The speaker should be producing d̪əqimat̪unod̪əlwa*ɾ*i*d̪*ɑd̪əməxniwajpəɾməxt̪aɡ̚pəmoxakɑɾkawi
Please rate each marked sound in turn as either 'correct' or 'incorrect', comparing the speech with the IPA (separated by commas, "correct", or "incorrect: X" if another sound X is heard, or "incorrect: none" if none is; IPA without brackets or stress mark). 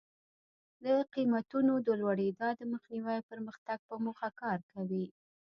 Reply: incorrect: ɽ, correct